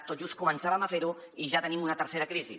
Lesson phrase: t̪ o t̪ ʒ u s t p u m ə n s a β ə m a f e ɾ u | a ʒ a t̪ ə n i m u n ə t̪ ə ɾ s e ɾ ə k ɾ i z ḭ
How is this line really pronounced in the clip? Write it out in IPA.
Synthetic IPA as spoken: t̪ o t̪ ʒ u s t k u m ə n s a β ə m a f e ɾ u | i ʒ a t̪ ə n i m u n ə t̪ ə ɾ s e ɾ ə k ɾ i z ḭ